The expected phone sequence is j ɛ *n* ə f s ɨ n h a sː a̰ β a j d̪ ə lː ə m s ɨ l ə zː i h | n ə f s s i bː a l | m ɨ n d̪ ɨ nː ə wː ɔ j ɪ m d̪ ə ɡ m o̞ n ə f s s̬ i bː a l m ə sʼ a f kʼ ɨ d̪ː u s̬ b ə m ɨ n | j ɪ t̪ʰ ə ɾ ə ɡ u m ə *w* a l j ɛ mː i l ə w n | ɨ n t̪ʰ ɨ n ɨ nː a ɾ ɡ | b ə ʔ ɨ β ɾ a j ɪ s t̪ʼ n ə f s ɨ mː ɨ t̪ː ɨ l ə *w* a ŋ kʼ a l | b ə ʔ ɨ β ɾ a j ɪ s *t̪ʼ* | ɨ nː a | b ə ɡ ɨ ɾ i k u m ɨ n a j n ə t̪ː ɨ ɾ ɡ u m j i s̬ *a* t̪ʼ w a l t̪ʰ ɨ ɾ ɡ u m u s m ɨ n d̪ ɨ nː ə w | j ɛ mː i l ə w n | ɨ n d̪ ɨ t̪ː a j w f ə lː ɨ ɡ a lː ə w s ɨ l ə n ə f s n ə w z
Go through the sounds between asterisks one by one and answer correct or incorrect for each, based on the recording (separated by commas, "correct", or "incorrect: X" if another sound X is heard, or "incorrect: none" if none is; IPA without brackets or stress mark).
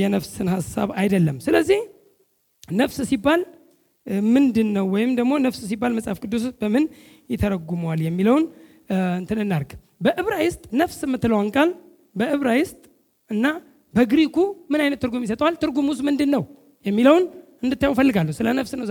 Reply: correct, correct, correct, correct, incorrect: ə